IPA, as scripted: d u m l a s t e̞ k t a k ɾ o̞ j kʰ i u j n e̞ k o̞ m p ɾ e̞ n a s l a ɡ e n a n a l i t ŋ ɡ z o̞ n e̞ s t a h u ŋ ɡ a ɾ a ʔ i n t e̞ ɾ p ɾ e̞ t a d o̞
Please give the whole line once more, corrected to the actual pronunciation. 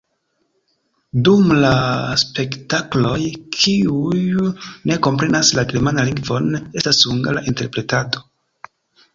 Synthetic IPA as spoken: d u m l a s p e̞ k t a k l o̞ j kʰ i u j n e̞ k o̞ m p ɾ e̞ n a s l a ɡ e m a n a l i ŋ ɡ v o̞ n e̞ s t a s u ŋ ɡ a l a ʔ i n t e̞ ɾ p ɾ e̞ t a d o̞